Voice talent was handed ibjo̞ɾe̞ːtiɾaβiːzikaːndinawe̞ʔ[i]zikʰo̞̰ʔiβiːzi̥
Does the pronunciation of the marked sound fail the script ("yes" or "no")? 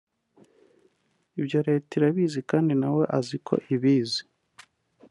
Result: yes